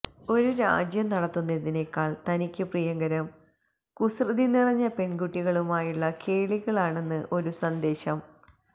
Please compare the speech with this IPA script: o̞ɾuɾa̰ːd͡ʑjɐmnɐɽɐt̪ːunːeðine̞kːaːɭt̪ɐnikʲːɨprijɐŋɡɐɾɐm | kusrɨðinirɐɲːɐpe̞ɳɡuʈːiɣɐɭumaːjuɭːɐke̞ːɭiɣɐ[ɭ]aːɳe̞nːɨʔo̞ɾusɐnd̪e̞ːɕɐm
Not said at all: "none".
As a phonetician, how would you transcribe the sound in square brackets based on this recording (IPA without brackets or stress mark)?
ɭ